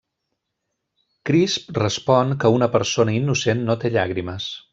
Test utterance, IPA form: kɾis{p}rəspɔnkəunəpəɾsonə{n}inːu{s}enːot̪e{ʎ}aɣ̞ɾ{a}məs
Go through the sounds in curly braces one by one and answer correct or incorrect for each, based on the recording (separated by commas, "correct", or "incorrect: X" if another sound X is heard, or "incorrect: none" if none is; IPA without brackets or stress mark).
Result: correct, incorrect: none, correct, correct, incorrect: i